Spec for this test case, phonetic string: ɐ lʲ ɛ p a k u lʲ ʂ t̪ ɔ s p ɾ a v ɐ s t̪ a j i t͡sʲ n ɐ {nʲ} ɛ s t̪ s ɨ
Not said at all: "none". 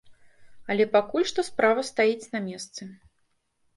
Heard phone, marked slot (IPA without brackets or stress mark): mʲ